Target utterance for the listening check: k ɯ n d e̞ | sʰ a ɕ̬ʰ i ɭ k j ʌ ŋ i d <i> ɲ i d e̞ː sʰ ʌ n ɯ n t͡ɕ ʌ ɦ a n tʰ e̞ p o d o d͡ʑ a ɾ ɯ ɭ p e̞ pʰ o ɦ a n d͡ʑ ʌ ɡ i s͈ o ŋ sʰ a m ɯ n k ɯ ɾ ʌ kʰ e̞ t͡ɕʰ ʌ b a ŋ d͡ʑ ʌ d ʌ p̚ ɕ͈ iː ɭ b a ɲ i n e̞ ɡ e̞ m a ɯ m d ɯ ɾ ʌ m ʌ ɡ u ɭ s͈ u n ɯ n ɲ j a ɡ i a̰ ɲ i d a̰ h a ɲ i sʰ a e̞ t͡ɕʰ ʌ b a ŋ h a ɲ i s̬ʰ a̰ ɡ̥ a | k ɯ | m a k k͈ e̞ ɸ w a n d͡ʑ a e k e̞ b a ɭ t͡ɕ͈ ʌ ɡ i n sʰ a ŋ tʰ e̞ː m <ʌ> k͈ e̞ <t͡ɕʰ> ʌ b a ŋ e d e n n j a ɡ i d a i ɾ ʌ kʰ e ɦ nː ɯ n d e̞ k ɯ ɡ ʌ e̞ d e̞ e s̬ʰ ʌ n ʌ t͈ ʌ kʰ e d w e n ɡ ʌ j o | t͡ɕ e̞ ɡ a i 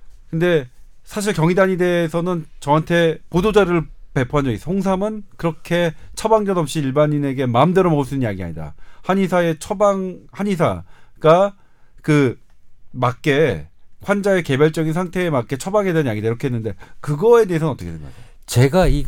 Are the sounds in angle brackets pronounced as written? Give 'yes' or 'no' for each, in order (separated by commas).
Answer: no, no, yes